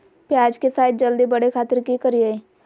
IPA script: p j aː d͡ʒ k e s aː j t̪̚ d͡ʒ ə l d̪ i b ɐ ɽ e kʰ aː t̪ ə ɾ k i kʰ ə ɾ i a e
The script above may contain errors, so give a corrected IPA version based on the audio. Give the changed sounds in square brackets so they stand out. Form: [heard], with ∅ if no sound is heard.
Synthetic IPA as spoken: p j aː d͡ʒ k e s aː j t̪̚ d͡ʒ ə l d̪ i b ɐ ɽ e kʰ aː t̪ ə ɾ k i [k] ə ɾ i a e